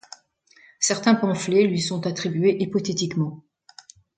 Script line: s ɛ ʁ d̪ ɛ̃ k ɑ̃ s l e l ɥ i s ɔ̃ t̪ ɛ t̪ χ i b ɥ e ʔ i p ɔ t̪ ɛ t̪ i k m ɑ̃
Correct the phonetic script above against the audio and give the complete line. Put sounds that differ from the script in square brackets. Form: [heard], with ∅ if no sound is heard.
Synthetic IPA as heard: s ɛ ʁ [t̪] ɛ̃ [p] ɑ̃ [f] l e l ɥ i s ɔ̃ t̪ [a] t̪ χ i b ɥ e ʔ i p ɔ t̪ [e] t̪ i k m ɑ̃